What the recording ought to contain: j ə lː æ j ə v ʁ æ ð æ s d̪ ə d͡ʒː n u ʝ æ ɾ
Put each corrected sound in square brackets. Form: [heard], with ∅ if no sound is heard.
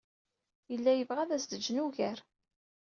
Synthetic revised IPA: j ə lː æ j ə v ʁ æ ð æ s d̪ ə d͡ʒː n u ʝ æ ɾ